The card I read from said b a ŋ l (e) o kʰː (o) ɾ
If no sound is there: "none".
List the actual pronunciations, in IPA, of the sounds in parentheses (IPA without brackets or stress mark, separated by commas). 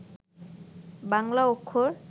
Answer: a, o